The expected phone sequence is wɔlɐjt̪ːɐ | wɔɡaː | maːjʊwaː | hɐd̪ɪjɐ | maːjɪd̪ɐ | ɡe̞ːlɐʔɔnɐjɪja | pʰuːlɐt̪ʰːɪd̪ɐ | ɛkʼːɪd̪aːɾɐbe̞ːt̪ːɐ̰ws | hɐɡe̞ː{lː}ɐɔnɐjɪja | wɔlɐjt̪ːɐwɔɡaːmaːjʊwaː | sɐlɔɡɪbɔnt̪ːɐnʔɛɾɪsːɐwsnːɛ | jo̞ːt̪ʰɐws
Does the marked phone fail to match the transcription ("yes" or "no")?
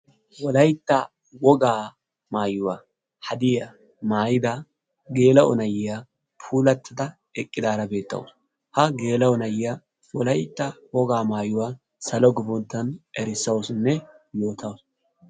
yes